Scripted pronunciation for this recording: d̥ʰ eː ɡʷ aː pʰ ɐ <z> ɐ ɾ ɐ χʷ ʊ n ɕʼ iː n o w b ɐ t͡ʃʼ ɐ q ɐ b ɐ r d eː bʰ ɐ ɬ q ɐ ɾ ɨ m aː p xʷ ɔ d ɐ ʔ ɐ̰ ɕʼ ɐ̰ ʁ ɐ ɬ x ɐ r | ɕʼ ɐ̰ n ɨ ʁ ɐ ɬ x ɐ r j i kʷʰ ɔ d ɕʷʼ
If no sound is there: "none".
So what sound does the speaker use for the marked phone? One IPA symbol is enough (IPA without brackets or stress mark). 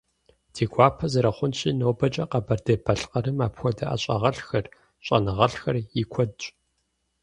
z